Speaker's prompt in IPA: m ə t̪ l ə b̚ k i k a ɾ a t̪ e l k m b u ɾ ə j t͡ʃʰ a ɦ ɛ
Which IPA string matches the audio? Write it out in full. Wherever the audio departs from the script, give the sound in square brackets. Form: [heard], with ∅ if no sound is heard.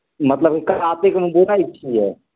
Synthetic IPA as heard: m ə t̪ l ə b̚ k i k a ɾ a t̪ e [∅] k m b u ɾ [a] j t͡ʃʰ [i] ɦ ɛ